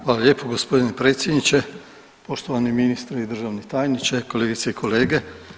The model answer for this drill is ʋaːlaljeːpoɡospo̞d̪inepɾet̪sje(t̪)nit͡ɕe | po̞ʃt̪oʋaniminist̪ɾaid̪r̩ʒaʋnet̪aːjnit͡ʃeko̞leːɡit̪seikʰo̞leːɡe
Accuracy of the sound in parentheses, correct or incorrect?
incorrect